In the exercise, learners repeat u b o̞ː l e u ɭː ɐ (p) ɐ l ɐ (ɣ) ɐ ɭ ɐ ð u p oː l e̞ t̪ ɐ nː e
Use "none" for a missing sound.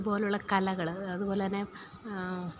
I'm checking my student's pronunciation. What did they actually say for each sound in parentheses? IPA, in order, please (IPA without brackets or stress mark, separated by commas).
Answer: k, ɣ